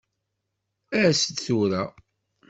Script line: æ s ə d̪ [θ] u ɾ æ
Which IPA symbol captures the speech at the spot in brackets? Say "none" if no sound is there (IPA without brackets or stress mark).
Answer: θ